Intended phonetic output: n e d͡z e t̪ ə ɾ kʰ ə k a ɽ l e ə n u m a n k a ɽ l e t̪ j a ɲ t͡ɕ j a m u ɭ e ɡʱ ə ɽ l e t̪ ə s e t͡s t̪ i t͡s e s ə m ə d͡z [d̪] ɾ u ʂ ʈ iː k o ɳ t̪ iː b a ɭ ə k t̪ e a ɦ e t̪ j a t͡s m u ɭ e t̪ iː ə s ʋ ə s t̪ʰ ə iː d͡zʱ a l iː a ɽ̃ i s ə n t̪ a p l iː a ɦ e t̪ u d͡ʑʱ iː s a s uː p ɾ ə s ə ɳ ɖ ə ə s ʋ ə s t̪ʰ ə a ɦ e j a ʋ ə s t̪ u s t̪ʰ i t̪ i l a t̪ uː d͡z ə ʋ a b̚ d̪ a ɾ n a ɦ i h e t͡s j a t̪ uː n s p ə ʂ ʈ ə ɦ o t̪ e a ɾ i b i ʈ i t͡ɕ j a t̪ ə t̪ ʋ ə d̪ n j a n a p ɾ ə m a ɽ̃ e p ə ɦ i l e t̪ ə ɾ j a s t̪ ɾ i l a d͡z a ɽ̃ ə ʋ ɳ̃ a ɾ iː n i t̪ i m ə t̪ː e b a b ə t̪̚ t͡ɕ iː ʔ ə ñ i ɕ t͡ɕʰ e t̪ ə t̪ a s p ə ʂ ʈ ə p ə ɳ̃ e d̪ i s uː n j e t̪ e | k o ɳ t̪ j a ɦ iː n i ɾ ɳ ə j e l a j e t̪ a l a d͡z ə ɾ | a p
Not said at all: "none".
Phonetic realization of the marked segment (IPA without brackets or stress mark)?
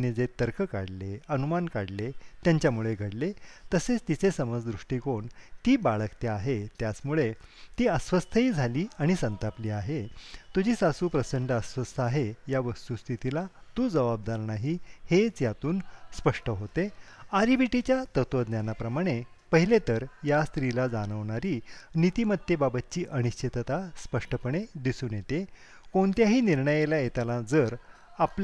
d̪